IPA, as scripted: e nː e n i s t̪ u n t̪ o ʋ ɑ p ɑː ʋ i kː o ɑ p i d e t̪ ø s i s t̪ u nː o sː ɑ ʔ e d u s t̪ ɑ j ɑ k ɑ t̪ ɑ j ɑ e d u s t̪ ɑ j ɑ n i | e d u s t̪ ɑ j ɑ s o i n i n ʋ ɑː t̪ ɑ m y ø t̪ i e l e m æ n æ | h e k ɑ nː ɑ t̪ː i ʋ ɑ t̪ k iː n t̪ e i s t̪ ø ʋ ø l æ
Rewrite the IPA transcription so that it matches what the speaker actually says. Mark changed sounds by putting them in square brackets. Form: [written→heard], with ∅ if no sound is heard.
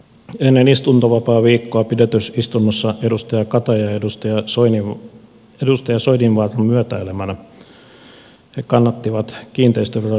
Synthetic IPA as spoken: e nː e n i s t̪ u n t̪ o ʋ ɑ p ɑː ʋ [i→iː] kː o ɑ p i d e t̪ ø s i s t̪ u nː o sː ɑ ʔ e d u s t̪ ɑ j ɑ k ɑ t̪ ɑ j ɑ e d u s t̪ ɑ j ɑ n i | e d u s t̪ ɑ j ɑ s o i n i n ʋ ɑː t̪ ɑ m y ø t̪ [i→æ] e l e m æ n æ | h e k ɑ nː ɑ t̪ː i ʋ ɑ t̪ k iː n t̪ e i s t̪ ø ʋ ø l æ